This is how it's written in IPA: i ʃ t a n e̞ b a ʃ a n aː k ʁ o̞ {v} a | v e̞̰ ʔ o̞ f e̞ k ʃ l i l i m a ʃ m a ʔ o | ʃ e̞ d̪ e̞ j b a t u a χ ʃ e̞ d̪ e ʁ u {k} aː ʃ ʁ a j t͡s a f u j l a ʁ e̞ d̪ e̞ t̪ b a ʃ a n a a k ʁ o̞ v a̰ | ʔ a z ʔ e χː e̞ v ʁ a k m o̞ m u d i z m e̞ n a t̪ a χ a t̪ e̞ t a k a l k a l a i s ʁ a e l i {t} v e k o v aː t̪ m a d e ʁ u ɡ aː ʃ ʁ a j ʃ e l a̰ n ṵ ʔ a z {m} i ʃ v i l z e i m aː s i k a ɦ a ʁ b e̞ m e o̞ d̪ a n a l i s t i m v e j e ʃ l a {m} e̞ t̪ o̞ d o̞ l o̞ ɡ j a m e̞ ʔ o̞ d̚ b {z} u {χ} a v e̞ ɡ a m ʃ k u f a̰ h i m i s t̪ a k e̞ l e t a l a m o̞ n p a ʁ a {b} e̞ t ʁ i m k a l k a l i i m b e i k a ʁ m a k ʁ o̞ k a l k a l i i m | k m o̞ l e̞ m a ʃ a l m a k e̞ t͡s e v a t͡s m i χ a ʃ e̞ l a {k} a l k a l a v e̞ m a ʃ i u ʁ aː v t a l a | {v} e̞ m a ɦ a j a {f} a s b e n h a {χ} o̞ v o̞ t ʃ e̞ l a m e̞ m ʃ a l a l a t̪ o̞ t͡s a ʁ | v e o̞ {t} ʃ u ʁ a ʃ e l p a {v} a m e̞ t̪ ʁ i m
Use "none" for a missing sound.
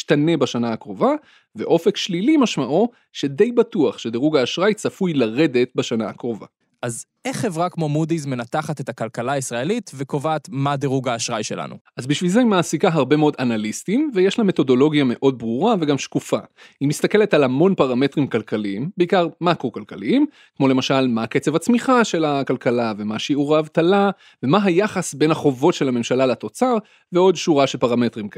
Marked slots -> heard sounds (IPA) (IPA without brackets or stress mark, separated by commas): v, ɡ, t, b, m, ʁ, ʁ, m, k, v, χ, χ, d, ʁ